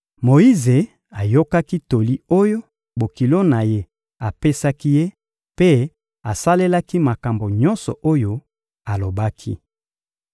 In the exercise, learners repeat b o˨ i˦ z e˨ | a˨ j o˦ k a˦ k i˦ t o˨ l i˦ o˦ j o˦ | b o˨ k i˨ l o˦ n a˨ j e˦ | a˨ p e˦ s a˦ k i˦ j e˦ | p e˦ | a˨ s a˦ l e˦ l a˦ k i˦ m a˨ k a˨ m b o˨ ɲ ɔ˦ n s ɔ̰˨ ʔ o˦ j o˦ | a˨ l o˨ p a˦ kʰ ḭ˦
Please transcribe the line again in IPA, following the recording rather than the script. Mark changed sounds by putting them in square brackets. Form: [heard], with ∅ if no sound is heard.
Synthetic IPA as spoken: [m] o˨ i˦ z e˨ | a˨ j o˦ k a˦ k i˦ t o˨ l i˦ o˦ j o˦ | b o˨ k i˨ l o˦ n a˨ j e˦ | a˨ p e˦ s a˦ k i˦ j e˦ | p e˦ | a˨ s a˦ l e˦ l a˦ k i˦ m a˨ k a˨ m b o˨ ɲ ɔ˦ n s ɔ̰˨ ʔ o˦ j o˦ | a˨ l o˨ [b] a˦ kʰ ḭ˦